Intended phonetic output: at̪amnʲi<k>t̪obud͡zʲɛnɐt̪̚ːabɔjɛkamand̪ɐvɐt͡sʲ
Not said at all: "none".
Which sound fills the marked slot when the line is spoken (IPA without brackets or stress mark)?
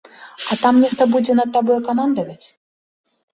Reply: x